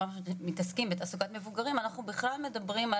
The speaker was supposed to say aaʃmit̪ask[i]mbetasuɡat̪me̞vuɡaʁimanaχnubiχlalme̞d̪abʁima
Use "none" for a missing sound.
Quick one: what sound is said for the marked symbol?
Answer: i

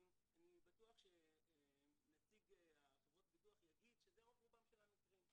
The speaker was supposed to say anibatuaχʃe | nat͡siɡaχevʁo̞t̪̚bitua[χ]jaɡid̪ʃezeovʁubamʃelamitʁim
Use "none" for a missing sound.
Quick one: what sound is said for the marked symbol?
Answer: χ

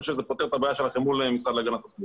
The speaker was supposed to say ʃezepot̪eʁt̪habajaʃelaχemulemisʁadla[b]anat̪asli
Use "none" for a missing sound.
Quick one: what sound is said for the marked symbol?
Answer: ɡ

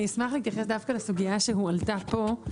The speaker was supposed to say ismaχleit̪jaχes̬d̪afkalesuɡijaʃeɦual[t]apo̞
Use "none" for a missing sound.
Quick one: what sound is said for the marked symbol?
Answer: t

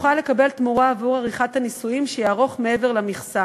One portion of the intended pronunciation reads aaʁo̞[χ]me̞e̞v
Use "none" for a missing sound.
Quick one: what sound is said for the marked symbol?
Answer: χ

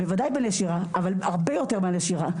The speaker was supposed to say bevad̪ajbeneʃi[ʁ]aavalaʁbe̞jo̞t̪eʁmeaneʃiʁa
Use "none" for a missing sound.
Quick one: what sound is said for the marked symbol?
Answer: ʁ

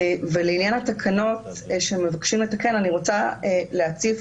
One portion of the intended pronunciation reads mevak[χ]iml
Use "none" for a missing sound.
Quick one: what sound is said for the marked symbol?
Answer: ʃ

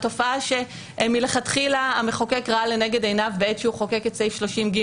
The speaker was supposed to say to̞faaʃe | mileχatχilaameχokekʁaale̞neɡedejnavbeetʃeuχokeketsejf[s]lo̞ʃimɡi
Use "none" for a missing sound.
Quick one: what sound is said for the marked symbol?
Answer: ʃ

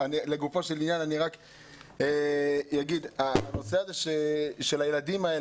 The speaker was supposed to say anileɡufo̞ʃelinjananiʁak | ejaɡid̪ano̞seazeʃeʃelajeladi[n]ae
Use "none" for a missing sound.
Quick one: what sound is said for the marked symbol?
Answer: m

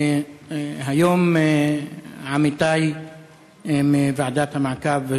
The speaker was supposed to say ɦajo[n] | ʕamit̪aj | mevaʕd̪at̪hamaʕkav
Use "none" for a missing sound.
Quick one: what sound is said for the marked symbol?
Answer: m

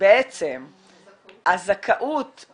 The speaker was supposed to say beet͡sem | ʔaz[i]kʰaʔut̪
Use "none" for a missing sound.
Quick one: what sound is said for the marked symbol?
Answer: a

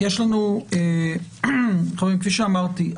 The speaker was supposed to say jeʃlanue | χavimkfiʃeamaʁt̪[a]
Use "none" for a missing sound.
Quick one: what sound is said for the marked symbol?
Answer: i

